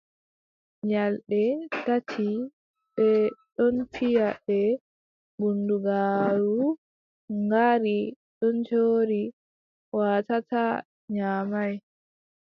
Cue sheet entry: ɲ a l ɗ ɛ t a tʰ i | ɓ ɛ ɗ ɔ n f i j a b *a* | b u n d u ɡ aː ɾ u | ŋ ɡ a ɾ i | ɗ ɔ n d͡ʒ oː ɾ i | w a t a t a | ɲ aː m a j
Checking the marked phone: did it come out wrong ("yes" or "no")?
yes